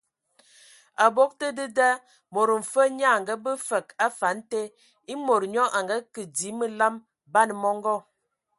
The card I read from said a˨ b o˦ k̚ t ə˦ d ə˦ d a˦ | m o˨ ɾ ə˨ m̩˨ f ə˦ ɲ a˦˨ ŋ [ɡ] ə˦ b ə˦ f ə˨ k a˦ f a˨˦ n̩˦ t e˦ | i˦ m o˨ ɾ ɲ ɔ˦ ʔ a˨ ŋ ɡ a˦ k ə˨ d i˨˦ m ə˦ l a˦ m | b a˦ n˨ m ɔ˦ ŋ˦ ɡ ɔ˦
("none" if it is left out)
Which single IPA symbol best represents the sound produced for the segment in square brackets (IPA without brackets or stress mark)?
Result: ɡ